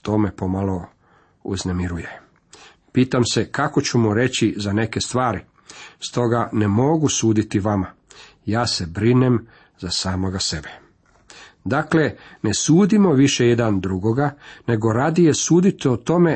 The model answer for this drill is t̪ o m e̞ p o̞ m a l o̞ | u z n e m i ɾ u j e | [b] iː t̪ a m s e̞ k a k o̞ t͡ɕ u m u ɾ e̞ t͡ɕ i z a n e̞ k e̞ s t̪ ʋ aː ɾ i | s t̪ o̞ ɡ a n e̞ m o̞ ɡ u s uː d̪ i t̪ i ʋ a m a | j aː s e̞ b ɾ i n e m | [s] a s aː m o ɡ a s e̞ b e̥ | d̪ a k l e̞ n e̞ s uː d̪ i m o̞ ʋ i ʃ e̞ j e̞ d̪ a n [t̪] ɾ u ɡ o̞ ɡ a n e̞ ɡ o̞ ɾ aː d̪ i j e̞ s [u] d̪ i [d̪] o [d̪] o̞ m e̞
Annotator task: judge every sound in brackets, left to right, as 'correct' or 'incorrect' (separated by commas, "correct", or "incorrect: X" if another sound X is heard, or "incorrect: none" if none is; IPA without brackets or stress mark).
incorrect: p, incorrect: z, incorrect: d̪, incorrect: uː, incorrect: t̪, incorrect: t̪